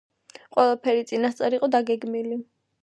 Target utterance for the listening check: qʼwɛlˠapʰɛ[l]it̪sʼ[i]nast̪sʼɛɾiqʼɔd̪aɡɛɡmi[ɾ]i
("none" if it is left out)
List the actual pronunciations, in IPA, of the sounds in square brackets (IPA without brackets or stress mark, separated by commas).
ɾ, i, l